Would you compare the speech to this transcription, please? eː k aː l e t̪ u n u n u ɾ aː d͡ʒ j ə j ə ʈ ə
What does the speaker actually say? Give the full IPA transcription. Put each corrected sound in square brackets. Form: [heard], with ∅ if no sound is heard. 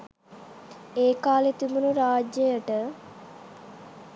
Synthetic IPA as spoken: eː k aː l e t̪ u [m] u n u ɾ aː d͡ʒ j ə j ə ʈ ə